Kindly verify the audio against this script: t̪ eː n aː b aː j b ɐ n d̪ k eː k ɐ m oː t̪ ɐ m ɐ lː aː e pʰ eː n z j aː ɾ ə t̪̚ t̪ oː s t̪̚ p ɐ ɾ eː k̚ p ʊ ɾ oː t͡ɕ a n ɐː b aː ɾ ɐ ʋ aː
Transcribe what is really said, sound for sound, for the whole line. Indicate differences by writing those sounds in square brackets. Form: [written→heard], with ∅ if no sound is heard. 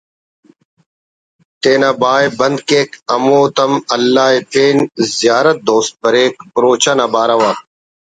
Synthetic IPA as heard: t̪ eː n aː b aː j b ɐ n d̪ k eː k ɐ m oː t̪ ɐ m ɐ lː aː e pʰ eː n z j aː ɾ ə t̪̚ [t̪→d̪] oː s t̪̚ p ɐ ɾ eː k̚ p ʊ ɾ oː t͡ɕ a n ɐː b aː ɾ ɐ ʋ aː